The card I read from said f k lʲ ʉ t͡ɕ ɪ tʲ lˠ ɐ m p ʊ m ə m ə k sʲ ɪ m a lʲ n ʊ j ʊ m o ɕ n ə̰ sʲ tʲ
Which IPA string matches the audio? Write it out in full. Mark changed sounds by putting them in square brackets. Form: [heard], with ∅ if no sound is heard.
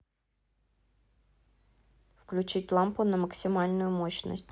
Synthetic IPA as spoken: f k lʲ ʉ t͡ɕ [i] tʲ lˠ [a] m p ʊ [n] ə m ə k sʲ ɪ m a lʲ n ʊ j ʊ m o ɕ n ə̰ sʲ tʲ